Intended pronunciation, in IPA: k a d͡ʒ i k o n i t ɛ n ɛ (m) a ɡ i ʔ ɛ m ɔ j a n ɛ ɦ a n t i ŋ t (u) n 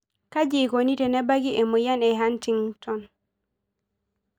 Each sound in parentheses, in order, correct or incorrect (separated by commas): incorrect, incorrect